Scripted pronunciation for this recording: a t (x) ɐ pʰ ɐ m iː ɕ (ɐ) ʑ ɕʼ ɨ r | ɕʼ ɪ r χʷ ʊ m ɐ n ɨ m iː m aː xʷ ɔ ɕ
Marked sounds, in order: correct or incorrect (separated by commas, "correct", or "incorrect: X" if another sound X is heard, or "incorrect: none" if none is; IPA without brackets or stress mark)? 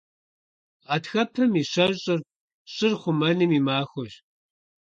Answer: correct, correct